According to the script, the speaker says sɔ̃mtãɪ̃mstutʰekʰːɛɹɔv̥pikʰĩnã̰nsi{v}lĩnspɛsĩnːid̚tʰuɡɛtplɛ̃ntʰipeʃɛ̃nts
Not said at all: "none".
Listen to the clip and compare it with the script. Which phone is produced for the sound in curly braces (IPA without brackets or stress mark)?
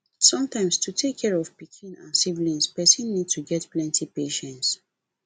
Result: v